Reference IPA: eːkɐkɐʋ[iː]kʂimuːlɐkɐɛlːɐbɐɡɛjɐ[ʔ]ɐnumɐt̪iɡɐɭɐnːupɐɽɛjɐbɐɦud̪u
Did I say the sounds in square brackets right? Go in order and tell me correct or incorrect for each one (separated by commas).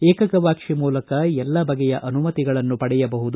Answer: incorrect, correct